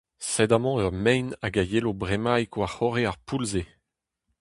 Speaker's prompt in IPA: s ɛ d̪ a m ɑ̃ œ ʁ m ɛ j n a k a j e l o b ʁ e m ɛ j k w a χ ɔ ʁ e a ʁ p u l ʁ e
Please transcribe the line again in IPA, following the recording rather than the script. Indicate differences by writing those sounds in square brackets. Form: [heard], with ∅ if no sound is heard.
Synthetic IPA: s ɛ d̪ a m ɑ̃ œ ʁ m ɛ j n a [ɡ] a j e l o b ʁ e m [a] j k w a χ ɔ ʁ e a ʁ p u l [z] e